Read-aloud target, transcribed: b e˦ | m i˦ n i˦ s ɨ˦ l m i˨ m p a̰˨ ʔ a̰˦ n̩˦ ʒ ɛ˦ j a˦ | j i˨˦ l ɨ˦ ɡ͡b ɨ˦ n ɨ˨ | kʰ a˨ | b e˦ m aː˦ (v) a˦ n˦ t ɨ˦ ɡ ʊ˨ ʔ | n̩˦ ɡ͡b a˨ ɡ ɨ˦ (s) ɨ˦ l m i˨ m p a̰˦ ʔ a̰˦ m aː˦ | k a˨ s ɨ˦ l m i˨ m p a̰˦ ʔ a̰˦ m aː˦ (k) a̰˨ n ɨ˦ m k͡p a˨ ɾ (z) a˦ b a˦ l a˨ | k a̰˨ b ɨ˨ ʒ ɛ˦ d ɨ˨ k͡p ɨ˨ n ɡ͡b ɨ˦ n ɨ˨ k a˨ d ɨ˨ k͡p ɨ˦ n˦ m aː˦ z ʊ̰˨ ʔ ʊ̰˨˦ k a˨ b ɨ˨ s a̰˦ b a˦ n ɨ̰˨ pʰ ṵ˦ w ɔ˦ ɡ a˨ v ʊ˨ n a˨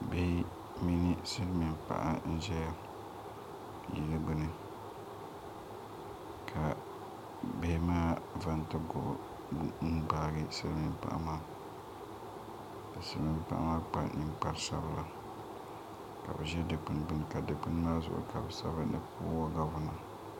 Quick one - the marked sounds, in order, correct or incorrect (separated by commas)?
correct, correct, incorrect, incorrect